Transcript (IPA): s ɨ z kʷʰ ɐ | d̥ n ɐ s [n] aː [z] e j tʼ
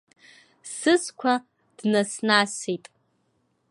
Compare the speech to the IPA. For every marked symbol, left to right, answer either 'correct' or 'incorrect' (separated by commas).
correct, incorrect